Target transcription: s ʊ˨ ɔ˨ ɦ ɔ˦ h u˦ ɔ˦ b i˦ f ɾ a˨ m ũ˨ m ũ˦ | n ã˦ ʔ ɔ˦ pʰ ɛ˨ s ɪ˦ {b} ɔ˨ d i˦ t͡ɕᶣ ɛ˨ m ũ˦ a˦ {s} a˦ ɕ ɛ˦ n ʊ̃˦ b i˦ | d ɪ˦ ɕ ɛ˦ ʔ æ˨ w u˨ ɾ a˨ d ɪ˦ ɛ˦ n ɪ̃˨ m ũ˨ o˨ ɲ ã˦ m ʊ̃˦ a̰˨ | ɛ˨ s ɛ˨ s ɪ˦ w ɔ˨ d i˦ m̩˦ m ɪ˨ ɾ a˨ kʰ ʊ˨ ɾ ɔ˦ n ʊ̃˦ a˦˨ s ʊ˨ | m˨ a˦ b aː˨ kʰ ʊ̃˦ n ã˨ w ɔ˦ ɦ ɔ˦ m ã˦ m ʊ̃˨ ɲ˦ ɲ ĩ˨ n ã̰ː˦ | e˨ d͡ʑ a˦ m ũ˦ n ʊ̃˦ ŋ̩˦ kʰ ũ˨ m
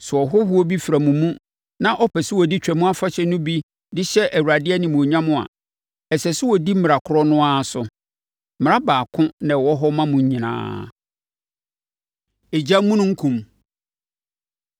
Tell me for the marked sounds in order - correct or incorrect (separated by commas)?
incorrect, incorrect